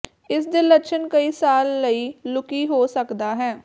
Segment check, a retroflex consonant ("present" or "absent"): absent